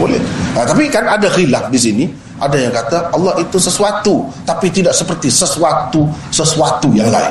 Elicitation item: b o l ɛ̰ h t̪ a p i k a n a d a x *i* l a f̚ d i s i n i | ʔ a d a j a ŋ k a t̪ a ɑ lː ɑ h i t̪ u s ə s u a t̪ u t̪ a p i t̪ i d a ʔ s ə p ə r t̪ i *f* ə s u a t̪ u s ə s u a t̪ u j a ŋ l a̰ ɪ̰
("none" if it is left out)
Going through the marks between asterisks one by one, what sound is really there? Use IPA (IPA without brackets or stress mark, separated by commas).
i, s